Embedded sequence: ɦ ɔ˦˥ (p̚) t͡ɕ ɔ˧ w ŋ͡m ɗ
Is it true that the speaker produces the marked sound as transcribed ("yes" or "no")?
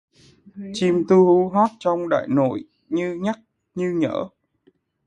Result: no